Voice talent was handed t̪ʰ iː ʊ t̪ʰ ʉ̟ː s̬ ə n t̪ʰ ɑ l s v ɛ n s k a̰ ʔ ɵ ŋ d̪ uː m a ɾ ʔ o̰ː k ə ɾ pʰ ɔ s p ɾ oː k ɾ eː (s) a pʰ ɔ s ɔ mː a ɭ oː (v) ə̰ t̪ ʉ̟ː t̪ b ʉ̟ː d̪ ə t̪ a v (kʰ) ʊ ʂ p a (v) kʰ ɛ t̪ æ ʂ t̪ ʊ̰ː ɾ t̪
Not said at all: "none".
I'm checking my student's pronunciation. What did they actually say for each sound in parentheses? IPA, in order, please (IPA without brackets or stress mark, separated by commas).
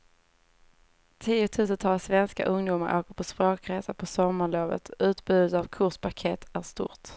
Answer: s, v, kʰ, none